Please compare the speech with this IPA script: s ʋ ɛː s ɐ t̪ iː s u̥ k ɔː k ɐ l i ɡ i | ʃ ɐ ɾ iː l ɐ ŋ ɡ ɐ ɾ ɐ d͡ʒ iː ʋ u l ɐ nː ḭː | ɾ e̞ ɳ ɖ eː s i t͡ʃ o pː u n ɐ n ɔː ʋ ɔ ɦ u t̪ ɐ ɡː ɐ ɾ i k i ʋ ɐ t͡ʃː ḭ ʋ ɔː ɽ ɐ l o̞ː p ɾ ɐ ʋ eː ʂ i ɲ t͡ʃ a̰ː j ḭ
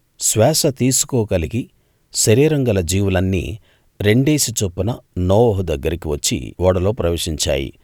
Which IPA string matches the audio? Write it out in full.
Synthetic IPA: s ʋ ɛː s ɐ t̪ iː s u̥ k ɔː k ɐ l i ɡ i | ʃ ɐ ɾ iː ɾ ɐ ŋ ɡ ɐ l ɐ d͡ʒ iː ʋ u l ɐ nː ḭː | ɾ e̞ ɳ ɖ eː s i t͡ʃ o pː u n ɐ n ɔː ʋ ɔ ɦ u d̪ ɐ ɡː ɐ ɾ i k i ʋ ɐ t͡ʃː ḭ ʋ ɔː ɽ ɐ l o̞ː p ɾ ɐ ʋ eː ʂ i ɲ t͡ʃ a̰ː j ḭ